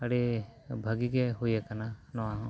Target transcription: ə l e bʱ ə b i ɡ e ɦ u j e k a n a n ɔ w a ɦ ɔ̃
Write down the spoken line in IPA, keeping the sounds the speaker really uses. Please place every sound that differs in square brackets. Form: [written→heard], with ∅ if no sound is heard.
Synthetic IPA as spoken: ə [l→ɽ] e bʱ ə [b→ɡ] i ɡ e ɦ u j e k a n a n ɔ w a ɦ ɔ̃